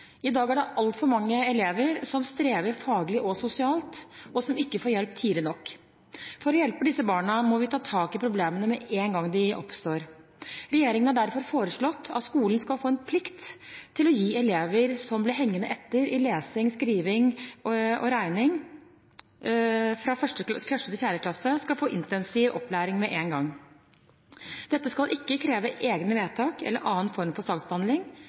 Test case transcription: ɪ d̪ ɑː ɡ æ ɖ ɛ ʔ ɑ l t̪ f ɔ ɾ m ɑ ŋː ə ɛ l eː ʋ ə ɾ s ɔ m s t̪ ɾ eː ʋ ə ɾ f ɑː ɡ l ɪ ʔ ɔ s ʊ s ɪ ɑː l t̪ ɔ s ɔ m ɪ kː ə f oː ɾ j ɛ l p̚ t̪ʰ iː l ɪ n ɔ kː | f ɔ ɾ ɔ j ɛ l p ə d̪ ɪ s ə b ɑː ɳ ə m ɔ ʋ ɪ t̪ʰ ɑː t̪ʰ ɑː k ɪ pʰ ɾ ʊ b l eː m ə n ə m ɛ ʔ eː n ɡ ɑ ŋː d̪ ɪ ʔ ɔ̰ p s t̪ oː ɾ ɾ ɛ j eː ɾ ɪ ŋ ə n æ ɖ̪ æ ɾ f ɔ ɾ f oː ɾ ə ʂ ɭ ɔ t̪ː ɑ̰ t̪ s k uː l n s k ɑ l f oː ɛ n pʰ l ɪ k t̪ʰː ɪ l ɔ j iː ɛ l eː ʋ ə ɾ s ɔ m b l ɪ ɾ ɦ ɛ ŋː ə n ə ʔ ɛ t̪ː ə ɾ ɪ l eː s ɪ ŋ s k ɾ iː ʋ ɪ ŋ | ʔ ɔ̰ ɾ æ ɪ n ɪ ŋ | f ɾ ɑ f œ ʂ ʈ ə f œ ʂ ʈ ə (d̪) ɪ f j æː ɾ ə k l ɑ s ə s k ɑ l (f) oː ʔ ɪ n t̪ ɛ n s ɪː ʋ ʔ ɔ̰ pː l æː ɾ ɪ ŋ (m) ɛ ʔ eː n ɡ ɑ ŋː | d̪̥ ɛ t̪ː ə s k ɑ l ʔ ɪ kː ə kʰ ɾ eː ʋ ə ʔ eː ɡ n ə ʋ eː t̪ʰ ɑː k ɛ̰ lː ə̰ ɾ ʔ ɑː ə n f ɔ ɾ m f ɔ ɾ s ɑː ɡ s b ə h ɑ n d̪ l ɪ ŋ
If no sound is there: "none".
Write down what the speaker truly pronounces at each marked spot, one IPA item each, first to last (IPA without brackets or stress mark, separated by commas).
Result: t̪, f, m